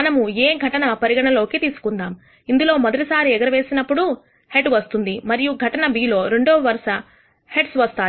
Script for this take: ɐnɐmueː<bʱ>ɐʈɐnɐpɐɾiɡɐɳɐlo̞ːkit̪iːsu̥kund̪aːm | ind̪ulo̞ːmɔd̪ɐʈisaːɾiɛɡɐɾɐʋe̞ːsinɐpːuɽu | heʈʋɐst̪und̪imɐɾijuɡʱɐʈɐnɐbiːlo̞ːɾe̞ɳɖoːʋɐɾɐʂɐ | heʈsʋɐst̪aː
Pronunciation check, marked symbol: incorrect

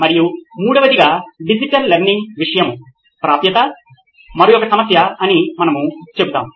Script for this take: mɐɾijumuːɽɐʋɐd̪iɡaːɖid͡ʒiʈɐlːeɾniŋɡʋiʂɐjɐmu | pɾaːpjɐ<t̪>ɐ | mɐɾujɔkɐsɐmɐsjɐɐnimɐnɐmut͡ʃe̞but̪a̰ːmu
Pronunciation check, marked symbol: correct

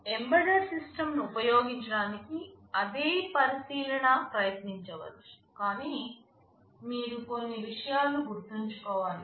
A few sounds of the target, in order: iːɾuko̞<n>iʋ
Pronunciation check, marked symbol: incorrect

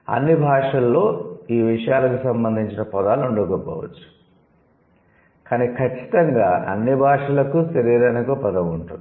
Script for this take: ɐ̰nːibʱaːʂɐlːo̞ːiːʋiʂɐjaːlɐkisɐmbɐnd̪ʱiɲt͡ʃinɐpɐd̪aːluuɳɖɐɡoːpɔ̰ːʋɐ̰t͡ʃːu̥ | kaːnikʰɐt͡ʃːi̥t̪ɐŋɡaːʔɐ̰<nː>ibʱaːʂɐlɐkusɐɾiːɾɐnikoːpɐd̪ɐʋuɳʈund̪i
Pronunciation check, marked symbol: correct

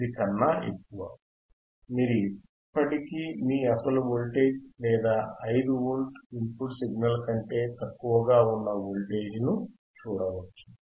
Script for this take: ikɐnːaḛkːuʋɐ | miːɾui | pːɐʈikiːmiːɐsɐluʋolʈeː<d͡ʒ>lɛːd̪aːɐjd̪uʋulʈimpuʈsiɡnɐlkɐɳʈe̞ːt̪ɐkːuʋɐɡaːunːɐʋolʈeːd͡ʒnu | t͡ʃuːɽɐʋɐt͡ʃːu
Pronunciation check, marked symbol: correct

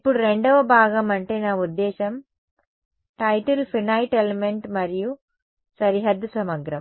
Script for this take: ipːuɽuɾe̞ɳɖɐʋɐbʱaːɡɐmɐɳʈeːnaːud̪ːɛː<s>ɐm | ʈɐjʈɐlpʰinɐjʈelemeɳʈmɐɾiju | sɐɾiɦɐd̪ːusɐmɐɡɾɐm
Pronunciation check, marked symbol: incorrect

